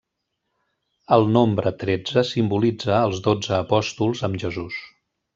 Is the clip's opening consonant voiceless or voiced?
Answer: voiced